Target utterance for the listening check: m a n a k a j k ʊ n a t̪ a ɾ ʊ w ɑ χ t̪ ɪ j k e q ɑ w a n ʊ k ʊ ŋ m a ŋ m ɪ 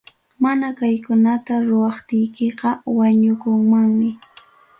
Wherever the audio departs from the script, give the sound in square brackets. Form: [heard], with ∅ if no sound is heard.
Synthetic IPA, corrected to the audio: m a n a k a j k ʊ n a t̪ a ɾ ʊ w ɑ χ t̪ ɪ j k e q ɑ w a [ɲ] ʊ k ʊ ŋ m a ŋ m ɪ